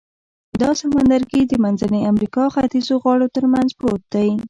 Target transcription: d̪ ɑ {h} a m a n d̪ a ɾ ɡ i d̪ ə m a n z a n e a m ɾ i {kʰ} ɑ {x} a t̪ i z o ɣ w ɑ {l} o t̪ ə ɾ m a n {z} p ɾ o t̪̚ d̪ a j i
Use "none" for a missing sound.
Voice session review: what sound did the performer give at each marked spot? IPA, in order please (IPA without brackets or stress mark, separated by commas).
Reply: s, k, x, ɽ, z